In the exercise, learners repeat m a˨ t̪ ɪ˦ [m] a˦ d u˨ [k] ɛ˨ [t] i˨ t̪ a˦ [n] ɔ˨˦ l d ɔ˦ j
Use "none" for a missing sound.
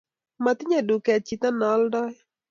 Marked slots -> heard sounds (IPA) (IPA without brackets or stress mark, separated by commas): ɲ, k, t͡ʃ, n